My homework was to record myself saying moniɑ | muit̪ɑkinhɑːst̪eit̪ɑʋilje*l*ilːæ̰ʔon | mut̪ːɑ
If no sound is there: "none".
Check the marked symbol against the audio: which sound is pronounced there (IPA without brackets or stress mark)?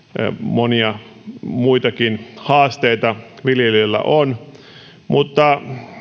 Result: l